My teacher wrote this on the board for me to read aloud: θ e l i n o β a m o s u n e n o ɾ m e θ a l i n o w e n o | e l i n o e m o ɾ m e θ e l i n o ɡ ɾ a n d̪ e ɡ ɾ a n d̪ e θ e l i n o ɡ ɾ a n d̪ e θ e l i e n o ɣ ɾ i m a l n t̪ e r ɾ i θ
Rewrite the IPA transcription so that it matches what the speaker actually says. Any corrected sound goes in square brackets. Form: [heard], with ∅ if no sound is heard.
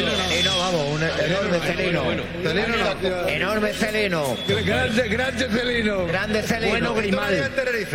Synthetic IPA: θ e l i n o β a m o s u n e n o ɾ m e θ [e] l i n o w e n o | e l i n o e [n] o ɾ m e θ e l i n o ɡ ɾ a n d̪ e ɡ ɾ a n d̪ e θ e l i n o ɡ ɾ a n d̪ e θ e l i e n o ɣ ɾ i m a l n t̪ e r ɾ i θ